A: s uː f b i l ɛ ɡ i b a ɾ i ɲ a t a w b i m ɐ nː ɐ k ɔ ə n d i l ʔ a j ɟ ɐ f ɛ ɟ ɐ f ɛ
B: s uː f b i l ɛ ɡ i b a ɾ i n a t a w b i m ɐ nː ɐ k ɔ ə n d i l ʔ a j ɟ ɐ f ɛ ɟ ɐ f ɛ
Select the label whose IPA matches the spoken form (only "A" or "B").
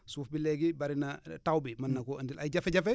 B